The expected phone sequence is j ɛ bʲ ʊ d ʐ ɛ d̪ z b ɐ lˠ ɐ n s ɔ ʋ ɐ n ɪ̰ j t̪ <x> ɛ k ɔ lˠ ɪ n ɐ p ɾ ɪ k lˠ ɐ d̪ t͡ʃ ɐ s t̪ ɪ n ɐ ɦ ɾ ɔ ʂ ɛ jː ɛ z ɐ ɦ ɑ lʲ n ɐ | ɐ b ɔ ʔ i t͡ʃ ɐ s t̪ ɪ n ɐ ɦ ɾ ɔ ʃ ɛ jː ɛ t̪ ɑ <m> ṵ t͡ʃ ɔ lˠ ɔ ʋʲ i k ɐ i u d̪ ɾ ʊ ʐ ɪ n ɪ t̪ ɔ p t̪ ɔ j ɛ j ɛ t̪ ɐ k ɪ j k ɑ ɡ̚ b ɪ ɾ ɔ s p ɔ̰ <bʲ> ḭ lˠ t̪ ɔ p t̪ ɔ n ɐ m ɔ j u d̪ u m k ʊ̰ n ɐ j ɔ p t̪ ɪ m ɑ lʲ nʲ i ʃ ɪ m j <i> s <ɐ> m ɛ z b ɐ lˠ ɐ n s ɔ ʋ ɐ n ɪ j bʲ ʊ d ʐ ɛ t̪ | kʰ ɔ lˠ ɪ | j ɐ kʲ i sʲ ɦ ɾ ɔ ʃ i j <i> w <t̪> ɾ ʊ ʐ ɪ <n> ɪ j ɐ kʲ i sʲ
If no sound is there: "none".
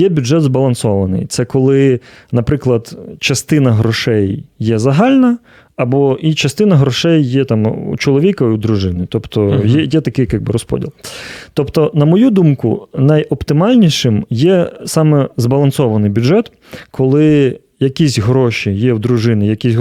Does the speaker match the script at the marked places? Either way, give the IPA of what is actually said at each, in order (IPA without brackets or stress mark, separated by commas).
s, m, dʲ, ɛ, ɑ, ɛ, d̪, n